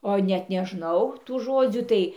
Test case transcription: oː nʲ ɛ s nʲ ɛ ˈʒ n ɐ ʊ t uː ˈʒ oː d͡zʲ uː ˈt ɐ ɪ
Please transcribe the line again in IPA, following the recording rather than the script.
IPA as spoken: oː nʲ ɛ t nʲ ɛ ˈʒ n ɐ ʊ t uː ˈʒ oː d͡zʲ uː ˈt ɐ ɪ